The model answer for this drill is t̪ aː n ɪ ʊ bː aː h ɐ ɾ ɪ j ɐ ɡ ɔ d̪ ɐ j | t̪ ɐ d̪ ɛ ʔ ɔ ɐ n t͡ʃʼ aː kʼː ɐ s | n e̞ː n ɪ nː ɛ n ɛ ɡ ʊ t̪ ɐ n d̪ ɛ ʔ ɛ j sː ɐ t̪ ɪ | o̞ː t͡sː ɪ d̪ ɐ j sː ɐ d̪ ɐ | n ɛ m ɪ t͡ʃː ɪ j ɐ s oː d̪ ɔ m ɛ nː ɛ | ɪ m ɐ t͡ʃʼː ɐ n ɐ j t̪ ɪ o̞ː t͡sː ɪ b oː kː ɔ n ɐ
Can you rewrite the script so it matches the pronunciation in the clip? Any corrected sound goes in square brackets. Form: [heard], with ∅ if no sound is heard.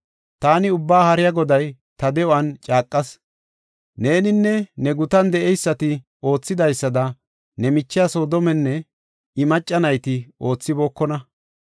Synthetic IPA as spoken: t̪ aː n ɪ ʊ bː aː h ɐ ɾ ɪ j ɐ ɡ ɔ d̪ ɐ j | t̪ ɐ d̪ ɛ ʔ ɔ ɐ n t͡ʃʼ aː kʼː ɐ s | n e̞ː n ɪ nː ɛ n ɛ ɡ ʊ t̪ ɐ n d̪ ɛ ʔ ɛ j sː ɐ t̪ ɪ | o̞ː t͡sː ɪ d̪ ɐ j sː ɐ d̪ ɐ | n ɛ m ɪ t͡ʃː ɪ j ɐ s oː d̪ ɔ m ɛ nː ɛ | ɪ m ɐ t͡ʃʼː ɐ n ɐ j t̪ ɪ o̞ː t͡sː ɪ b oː kː ɔ n ɐ